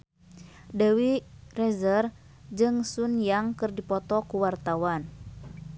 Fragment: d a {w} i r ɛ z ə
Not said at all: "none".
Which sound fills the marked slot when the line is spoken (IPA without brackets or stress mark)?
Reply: w